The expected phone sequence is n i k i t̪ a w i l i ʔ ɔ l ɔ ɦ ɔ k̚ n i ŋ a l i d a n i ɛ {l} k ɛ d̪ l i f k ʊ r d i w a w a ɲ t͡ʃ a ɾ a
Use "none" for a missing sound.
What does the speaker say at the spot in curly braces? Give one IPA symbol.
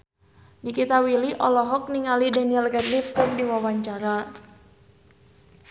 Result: l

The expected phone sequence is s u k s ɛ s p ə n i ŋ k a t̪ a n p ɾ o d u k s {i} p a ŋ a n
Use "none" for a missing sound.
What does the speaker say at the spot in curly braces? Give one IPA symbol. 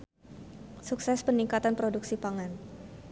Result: i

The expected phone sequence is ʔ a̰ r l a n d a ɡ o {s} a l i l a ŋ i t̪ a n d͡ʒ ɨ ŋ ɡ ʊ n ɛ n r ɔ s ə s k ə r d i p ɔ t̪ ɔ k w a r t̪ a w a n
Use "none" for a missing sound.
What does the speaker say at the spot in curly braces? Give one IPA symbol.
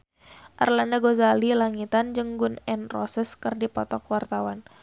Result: z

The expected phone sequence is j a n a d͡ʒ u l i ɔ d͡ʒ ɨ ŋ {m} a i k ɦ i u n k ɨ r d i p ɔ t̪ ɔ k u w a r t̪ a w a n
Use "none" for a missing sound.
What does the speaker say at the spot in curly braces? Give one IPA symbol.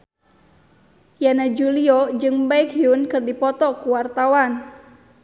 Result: b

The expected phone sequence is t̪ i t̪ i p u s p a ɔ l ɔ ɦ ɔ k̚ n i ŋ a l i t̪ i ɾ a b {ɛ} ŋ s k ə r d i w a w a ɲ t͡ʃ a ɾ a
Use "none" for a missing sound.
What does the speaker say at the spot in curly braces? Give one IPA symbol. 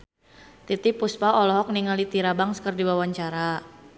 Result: a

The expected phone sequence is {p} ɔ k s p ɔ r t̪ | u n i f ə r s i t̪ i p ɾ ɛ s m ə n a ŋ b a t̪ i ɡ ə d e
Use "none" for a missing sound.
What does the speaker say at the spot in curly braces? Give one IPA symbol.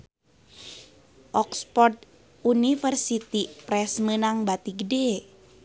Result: ʔ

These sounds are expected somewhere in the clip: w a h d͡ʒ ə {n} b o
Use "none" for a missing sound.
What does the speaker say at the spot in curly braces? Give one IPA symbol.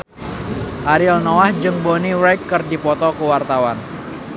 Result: ŋ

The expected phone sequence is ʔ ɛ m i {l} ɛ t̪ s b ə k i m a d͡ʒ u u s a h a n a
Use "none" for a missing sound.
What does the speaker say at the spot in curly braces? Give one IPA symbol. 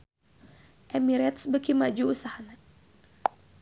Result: ɾ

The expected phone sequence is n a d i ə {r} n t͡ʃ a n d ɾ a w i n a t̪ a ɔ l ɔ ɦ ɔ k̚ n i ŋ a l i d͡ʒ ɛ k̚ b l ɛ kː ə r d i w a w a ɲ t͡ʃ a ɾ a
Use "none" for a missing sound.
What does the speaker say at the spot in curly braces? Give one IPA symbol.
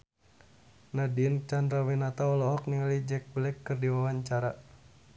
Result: none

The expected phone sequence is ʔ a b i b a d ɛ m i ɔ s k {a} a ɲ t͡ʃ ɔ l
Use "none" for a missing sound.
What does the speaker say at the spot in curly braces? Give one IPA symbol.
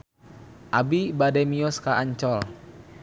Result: a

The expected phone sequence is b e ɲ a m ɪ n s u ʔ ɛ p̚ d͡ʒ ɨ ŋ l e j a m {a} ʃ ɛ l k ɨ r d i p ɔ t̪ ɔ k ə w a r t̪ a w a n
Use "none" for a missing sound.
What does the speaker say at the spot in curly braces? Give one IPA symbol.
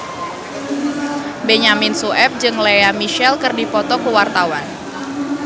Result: i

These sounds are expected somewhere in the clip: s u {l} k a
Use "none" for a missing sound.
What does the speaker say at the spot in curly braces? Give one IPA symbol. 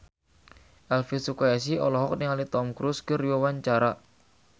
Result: none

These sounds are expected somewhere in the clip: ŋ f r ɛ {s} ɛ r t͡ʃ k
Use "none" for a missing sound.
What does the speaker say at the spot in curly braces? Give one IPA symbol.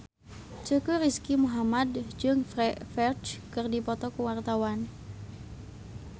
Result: f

